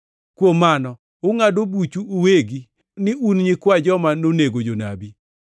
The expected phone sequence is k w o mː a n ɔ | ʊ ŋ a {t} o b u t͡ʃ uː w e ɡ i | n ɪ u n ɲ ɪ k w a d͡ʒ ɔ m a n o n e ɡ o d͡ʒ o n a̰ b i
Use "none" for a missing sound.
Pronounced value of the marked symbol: d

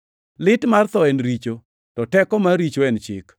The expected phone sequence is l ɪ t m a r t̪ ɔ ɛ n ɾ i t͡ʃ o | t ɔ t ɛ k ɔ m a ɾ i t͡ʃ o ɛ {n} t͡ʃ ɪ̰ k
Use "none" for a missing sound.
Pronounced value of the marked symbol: n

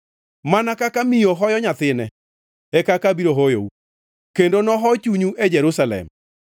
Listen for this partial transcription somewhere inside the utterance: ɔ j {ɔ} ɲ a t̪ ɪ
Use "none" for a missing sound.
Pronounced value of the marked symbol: ɔ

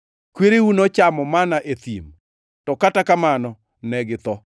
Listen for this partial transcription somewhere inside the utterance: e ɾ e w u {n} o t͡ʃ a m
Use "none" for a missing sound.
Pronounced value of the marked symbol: n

